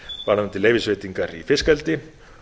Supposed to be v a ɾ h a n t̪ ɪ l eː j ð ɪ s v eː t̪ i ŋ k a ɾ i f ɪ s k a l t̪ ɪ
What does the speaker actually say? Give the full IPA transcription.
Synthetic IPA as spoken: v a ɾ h a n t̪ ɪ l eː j v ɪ s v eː t̪ i ŋ k a ɾ i f ɪ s k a l t̪ ɪ